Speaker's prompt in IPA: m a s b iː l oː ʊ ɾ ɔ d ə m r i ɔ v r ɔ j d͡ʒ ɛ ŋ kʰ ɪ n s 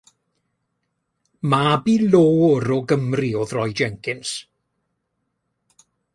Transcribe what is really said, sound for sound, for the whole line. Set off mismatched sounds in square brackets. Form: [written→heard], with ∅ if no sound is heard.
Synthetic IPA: m a [s→∅] b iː l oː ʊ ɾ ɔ [d→ɡ] ə m r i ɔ [v→ð] r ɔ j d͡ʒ ɛ ŋ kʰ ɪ n s